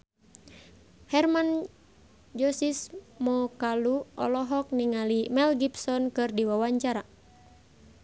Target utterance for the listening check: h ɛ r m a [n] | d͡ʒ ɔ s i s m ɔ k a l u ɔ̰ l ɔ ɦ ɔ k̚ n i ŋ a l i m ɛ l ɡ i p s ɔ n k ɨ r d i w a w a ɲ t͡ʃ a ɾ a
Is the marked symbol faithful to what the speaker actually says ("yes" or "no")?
yes